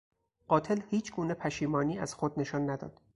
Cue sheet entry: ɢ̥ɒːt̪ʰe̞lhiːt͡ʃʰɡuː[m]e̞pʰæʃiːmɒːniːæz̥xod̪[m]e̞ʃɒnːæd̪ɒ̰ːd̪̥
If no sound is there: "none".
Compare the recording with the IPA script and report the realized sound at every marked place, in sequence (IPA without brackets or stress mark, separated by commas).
n, n